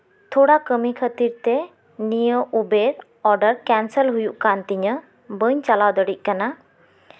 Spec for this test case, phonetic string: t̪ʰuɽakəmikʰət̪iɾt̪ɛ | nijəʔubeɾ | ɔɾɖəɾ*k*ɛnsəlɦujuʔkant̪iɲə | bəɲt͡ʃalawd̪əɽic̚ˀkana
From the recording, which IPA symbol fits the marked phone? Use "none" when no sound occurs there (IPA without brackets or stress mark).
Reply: k